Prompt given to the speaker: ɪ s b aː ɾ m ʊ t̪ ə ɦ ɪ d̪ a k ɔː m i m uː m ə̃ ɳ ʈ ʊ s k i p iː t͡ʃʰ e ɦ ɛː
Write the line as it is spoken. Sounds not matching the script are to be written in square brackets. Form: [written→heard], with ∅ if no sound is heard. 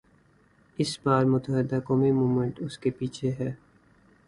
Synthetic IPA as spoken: ɪ s b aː ɾ m ʊ t̪ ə ɦ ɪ d̪ a k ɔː m i m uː m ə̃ ɳ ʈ ʊ s k [i→e] p iː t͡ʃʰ e ɦ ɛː